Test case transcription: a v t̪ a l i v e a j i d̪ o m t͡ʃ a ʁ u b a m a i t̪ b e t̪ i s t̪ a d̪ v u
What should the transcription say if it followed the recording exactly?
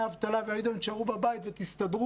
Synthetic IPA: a v t̪ a l a v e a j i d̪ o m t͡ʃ a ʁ u b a b a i t̪ v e t̪ i s t̪ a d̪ ʁ u